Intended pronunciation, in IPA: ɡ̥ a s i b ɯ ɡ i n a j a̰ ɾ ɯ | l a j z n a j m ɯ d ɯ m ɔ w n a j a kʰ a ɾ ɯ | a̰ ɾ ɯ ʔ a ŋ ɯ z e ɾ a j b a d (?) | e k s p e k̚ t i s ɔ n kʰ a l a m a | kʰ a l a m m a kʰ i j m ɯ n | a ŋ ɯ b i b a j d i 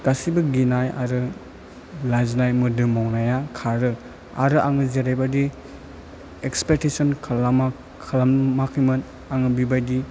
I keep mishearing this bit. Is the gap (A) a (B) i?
B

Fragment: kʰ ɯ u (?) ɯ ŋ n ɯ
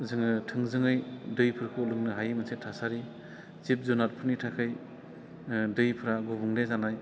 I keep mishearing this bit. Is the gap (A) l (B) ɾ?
A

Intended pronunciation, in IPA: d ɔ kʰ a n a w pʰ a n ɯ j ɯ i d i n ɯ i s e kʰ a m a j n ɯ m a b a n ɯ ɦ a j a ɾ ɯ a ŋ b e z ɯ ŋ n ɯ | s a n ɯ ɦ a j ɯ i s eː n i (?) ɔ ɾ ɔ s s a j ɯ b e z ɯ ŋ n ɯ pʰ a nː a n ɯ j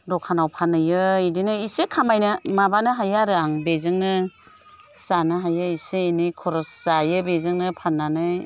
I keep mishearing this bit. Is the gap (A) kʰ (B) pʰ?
A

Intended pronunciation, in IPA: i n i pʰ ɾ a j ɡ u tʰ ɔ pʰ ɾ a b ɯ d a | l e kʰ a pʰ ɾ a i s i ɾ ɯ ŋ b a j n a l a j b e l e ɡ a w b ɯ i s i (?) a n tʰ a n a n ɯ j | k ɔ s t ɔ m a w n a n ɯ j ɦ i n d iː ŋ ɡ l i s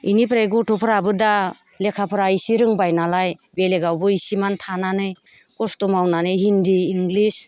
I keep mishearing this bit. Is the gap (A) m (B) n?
A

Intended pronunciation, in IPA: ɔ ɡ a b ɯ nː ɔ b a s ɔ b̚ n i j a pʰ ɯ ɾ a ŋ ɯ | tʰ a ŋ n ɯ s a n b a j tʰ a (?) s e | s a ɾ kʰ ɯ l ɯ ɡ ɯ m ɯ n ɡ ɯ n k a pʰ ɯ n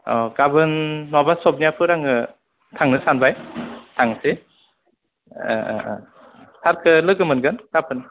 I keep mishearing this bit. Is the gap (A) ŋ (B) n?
A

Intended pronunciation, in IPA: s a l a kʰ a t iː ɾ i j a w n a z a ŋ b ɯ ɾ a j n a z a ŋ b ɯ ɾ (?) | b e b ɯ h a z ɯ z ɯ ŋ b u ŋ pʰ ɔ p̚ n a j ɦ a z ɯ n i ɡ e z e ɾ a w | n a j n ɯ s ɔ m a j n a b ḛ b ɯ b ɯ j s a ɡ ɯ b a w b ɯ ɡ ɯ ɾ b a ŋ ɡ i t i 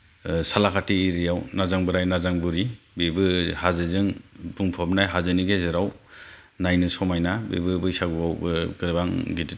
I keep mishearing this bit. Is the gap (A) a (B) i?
B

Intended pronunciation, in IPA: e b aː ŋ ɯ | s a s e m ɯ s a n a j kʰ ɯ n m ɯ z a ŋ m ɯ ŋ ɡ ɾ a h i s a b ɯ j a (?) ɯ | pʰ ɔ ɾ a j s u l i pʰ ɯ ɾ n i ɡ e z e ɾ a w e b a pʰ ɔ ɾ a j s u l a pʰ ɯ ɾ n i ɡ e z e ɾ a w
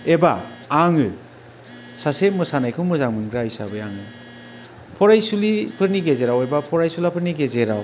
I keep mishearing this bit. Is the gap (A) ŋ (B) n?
A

